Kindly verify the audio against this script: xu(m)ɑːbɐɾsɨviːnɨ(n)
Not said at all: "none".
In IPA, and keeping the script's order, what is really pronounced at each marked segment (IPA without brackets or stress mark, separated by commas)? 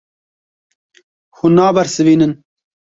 n, n